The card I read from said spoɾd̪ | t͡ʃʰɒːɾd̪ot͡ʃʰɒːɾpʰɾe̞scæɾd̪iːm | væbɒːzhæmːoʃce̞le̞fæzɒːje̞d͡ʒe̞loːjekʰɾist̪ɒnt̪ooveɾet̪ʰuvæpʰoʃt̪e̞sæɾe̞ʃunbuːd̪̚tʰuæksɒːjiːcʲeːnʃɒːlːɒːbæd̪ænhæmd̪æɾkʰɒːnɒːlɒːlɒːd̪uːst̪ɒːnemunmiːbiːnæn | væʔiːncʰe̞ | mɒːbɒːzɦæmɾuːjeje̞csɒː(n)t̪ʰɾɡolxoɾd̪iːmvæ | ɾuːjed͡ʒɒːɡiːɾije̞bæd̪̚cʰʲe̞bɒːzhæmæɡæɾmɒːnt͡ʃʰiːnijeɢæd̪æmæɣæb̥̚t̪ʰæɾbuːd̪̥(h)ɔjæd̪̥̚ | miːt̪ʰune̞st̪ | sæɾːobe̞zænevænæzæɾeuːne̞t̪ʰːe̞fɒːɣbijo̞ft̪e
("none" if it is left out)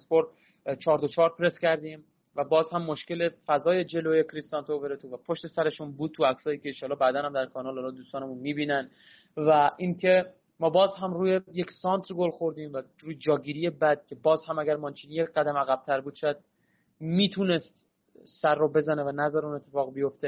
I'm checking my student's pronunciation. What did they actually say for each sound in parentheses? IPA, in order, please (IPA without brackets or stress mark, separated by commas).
n, ʃ